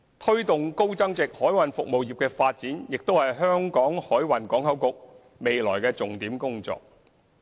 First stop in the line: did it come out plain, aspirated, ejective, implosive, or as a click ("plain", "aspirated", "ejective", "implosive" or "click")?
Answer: aspirated